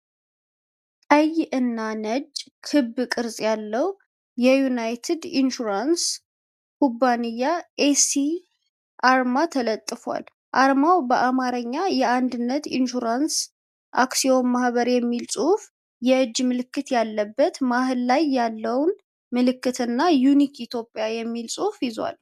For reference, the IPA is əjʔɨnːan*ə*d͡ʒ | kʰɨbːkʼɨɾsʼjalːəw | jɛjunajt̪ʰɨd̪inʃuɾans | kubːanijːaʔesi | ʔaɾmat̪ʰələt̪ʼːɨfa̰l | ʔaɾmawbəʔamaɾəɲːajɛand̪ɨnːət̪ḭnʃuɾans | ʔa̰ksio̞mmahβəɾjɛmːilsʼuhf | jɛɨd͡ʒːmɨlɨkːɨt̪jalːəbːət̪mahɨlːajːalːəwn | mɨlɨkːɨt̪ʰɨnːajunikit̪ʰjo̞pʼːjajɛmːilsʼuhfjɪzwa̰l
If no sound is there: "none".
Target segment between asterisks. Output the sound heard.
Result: ə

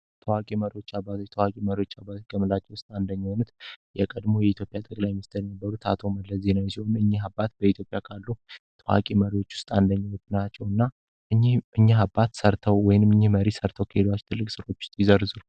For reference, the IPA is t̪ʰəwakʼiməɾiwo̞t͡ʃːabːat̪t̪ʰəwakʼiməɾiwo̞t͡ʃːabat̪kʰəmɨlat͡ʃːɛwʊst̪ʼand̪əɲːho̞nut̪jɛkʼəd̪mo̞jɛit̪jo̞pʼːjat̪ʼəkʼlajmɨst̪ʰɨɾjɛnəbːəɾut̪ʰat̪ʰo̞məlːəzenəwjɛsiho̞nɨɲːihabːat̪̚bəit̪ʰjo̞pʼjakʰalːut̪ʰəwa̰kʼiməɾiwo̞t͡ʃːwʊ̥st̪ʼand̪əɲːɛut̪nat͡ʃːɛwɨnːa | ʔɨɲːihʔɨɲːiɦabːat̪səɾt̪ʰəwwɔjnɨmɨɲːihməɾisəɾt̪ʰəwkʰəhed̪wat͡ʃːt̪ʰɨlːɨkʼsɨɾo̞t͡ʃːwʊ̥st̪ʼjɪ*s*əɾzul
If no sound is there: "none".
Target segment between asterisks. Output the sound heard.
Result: z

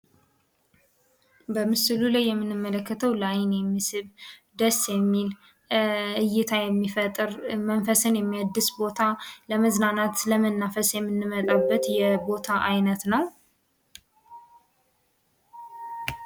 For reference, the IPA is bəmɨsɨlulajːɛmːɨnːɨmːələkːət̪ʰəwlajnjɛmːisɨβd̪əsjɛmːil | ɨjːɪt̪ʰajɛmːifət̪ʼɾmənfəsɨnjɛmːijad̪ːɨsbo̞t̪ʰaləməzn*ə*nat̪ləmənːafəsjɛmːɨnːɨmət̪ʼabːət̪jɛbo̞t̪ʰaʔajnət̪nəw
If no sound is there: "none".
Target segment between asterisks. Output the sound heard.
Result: a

